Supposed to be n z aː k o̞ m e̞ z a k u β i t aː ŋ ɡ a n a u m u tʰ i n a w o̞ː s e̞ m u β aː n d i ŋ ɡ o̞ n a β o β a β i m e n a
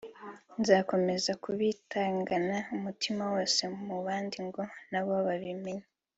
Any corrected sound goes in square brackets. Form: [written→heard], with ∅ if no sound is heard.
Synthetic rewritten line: n z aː k o̞ m e̞ z a k u β i t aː ŋ ɡ a n a u m u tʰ i [n→m] a w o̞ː s e̞ m u β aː n d i ŋ ɡ o̞ n a β o β a β i m e [n→ɲ] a